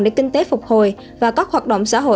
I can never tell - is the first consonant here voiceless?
no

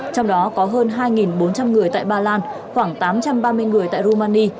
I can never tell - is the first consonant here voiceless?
yes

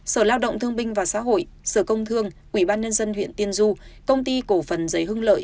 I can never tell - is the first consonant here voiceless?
yes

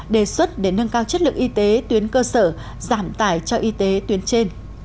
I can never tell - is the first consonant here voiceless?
no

